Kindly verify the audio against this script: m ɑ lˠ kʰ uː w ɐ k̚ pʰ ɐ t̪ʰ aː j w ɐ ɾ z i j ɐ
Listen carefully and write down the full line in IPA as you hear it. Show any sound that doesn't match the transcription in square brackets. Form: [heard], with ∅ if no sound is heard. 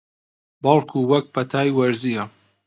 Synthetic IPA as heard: [b] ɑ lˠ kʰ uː w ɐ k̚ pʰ ɐ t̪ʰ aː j w ɐ ɾ z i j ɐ